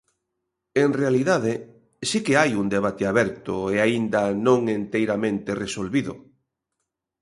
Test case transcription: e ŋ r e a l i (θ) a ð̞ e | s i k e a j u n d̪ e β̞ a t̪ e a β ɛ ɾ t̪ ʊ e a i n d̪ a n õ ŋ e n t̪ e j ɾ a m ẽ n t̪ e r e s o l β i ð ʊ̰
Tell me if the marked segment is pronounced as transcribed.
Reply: no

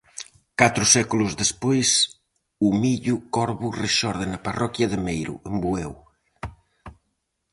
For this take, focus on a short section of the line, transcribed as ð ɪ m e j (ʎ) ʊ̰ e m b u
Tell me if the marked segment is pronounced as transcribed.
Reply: no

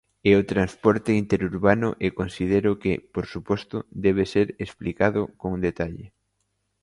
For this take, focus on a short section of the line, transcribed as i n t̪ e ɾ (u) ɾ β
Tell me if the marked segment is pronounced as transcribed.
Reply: yes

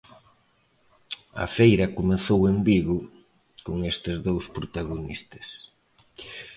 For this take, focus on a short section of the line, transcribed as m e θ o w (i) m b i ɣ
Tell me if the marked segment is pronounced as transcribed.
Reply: no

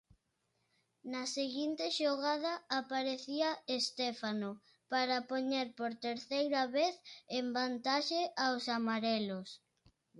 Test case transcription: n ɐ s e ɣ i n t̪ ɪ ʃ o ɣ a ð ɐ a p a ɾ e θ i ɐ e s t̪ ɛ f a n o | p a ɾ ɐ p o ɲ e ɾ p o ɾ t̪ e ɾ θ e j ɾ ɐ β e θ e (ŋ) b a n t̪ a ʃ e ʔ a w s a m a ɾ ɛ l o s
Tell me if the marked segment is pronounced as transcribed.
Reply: no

